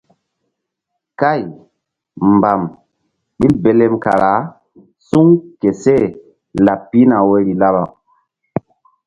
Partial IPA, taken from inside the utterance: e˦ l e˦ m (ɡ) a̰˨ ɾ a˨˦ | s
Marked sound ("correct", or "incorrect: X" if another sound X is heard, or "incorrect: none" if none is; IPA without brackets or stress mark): incorrect: k